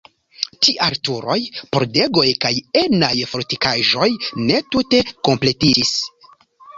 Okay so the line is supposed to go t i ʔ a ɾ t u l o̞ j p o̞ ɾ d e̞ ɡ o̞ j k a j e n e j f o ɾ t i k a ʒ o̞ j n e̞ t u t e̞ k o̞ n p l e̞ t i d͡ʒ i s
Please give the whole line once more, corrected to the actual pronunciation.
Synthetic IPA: t i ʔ a ɾ t u ɾ o̞ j p o̞ ɾ d e̞ ɡ o̞ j k a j e n a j f o ɾ t i k a ʒ o̞ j n e̞ t u t e̞ k o̞ m p l e̞ t i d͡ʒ i s